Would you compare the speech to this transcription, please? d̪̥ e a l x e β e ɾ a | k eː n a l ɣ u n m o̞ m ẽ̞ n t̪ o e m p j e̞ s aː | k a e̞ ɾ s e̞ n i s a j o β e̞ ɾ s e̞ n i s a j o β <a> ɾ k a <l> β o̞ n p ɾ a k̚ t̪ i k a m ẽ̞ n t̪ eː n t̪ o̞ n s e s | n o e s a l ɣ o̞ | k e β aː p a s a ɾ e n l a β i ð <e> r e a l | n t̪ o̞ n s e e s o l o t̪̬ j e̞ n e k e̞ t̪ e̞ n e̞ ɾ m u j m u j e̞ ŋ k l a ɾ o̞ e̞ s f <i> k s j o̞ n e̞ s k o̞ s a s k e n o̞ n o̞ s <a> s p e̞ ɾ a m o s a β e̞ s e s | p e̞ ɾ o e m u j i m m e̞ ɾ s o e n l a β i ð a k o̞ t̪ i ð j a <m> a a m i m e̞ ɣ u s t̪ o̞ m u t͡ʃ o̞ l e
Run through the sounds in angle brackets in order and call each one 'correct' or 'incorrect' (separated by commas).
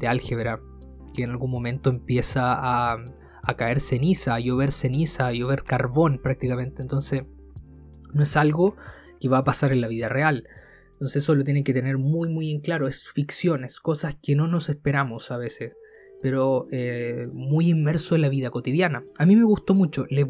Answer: incorrect, incorrect, incorrect, correct, incorrect, incorrect